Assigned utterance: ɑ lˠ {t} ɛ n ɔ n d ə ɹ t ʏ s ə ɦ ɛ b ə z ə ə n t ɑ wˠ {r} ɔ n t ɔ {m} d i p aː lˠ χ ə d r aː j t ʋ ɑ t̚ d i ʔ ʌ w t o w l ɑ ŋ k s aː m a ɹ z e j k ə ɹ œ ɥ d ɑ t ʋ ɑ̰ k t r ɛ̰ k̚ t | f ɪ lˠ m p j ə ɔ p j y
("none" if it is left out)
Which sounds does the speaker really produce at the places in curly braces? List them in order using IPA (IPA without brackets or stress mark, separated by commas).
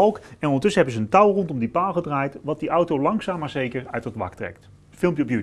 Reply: k, r, m